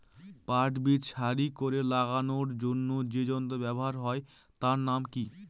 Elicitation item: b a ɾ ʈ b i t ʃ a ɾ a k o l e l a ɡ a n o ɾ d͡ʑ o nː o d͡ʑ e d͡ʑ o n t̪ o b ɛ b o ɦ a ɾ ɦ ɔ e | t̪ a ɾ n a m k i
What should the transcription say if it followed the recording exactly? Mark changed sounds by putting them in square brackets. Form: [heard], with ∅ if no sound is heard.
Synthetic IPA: [p] a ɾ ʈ b i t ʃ a ɾ [i] k o [ɾ] e l a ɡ a n o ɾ d͡ʑ o nː o d͡ʑ e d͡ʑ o n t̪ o b ɛ b o ɦ a ɾ ɦ ɔ e | t̪ a ɾ n a m k i

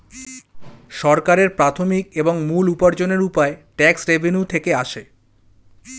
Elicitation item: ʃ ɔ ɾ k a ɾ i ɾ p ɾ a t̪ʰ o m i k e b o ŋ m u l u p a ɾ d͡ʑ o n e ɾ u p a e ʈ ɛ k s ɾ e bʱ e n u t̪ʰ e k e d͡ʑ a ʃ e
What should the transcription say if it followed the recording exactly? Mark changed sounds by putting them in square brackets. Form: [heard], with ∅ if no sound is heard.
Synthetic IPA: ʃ ɔ ɾ k a ɾ [e] ɾ p ɾ a t̪ʰ o m i k e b o ŋ m u l u p a ɾ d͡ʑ o n e ɾ u p a e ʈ ɛ k s ɾ e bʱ e n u t̪ʰ e k e [∅] a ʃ e

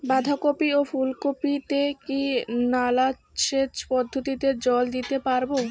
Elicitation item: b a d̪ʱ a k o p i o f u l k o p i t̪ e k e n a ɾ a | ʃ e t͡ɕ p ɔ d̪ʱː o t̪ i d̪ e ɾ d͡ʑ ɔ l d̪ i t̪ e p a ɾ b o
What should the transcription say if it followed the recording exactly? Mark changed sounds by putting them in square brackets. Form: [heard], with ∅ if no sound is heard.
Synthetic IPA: b a d̪ʱ a k o p i o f u l k o p i t̪ e k [i] n a [l] a | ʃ e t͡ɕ p ɔ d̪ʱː o t̪ i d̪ e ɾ d͡ʑ ɔ l d̪ i t̪ e p a ɾ b o

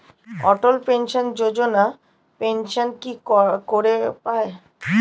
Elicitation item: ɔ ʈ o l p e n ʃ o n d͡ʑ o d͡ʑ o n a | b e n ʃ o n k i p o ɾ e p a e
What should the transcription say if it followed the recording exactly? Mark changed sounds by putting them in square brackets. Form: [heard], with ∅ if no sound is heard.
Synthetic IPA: ɔ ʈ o l p e n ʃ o n d͡ʑ o d͡ʑ o n a | [p] e n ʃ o n k i [k] o ɾ e p a e

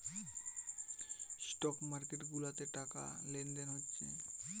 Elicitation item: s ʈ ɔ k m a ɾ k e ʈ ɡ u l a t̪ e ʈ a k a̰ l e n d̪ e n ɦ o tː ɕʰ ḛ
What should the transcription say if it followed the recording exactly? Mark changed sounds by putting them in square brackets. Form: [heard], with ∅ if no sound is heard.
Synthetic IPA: s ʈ ɔ k m a ɾ k e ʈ ɡ u l a t̪ e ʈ a k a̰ l e n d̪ e n ɦ o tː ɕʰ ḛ

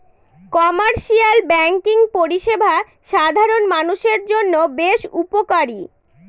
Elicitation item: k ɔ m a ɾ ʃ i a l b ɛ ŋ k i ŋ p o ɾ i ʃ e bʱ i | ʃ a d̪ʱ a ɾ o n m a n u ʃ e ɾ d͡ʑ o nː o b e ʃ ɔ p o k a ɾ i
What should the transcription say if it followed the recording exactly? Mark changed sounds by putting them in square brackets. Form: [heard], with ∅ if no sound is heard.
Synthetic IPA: k ɔ m a ɾ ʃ i a l b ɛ ŋ k i ŋ p o ɾ i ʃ e bʱ [a] | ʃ a d̪ʱ a ɾ o n m a n u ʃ e ɾ d͡ʑ o nː o b e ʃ [u] p o k a ɾ i

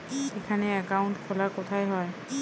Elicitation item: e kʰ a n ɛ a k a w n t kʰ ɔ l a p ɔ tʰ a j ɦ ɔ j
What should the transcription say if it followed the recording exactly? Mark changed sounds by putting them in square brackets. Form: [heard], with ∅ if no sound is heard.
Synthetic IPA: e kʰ a n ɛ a k a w n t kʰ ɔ l a [k] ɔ tʰ a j ɦ ɔ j

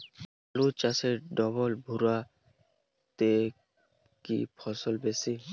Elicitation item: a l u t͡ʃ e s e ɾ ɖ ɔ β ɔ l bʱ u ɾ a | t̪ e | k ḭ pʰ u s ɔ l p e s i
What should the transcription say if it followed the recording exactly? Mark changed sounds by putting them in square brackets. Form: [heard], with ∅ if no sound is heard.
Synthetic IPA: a l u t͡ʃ [a] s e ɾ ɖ ɔ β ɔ l bʱ u ɾ a | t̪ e | k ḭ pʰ [ɔ] s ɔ l [b] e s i

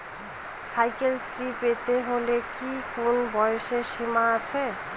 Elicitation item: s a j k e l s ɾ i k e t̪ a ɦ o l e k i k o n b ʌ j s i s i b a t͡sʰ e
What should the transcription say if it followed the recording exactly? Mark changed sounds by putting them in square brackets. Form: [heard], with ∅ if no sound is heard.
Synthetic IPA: s a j k e l s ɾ i [p] e t̪ [e] ɦ o l e k i k o n b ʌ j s [e] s i [m] a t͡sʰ e

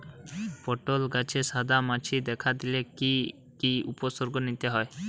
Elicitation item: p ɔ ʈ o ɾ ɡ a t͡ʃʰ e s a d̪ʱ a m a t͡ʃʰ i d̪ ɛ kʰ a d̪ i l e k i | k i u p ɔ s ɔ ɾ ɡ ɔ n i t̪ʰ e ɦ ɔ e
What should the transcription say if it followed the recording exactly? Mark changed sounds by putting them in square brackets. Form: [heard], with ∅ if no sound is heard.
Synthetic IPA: p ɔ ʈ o [l] ɡ a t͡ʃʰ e s a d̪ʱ a m a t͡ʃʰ i d̪ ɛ kʰ a d̪ i l e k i | k i u p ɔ s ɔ ɾ ɡ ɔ n i [t̪] e ɦ ɔ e

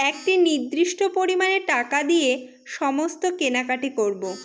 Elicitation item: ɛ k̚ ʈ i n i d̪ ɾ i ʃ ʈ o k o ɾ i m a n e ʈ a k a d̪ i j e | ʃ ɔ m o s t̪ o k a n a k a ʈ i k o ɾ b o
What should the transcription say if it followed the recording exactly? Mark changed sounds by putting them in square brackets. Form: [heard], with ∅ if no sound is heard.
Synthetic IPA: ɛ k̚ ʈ i n i d̪ ɾ i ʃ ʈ o [p] o ɾ i m a n e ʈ a k a d̪ i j e | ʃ ɔ m o s t̪ o k [e] n a k a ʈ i k o ɾ b o

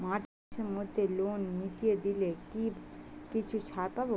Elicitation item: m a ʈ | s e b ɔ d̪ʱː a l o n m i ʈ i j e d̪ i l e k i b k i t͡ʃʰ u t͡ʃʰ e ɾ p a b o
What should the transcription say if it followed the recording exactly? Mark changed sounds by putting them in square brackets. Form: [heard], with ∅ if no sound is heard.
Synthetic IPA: m a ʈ | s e [m] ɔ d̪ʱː [e] l o n m i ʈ i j e d̪ i l e k i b k i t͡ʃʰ u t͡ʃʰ [a] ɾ p a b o

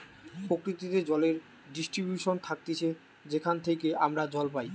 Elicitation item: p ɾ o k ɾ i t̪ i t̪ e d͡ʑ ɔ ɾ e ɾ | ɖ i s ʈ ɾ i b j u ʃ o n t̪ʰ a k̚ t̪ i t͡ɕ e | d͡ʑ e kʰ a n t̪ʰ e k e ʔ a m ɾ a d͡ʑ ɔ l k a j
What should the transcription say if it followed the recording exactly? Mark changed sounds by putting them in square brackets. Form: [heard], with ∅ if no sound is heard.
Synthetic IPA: p ɾ o k ɾ i t̪ i t̪ e d͡ʑ ɔ [l] e ɾ | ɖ i s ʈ ɾ i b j u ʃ o n t̪ʰ a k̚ t̪ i [t͡ɕʰ] e | d͡ʑ e kʰ a n t̪ʰ e k e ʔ a m ɾ a d͡ʑ ɔ l [p] a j

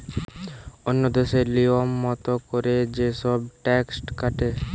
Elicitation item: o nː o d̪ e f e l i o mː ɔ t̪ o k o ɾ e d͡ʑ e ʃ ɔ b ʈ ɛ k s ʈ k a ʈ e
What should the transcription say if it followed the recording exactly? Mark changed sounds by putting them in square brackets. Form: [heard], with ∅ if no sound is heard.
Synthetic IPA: o nː o d̪ e [ʃ] e l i o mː ɔ t̪ o k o ɾ e d͡ʑ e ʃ ɔ b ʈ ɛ k s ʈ k a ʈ e

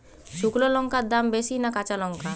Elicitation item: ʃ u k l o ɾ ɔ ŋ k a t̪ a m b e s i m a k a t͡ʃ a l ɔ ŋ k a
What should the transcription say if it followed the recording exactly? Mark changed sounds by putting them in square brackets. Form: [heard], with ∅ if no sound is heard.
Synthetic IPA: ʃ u k l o [l] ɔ ŋ k a [d̪] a m b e s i [n] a k a t͡ʃ a l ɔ ŋ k a

